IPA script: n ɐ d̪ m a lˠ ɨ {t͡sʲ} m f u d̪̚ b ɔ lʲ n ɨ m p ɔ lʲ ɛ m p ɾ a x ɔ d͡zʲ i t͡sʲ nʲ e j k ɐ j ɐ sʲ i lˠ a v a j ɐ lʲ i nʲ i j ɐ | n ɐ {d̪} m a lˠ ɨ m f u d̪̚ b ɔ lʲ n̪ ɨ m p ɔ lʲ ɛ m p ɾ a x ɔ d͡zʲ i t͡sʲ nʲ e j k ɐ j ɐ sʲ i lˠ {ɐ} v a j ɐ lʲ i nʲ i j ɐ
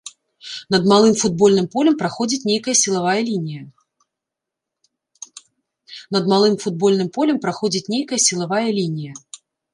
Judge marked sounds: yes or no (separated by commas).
no, yes, no